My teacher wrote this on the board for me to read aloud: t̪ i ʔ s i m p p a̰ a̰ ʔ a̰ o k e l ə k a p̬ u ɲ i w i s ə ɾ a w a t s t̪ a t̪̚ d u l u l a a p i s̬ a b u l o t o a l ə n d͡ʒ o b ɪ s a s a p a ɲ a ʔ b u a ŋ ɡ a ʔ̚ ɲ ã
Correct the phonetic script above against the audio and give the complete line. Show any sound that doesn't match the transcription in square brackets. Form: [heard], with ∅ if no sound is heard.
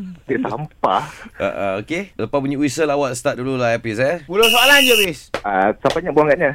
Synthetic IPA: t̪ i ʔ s [a] m p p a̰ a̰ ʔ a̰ o k e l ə [p] a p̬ u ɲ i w i s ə [l] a w a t s t̪ a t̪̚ d u l u l a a p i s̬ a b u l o [s] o a l [a] n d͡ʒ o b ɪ s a s a p a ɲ a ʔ b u a ŋ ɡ a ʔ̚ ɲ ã